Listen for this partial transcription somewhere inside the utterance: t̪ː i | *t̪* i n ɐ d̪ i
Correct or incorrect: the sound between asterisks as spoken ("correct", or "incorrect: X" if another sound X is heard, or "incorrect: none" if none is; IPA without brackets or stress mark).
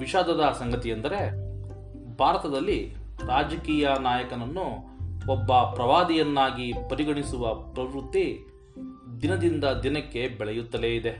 incorrect: d̪